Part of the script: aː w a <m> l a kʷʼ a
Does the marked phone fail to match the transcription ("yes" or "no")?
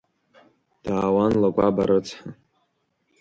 yes